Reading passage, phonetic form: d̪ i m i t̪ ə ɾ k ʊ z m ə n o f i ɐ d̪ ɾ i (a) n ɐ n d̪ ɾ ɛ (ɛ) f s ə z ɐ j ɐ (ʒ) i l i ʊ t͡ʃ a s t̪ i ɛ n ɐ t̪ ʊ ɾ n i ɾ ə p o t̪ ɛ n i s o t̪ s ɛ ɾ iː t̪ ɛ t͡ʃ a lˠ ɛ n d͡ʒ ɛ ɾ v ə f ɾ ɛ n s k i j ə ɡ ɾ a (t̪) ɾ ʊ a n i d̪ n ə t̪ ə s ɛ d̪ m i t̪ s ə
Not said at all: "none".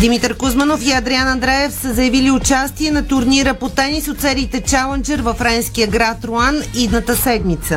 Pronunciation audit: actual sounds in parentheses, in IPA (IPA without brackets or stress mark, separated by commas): a, ɛ, v, t̪